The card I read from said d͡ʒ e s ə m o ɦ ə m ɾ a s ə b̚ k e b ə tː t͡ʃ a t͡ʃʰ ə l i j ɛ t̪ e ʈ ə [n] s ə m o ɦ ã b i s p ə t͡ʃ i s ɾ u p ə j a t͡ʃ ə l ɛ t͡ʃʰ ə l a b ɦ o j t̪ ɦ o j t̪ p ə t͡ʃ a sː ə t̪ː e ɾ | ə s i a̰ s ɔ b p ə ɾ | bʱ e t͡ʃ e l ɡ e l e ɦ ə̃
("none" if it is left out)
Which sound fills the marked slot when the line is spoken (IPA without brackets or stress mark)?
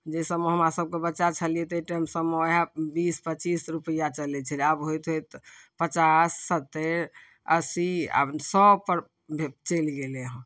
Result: m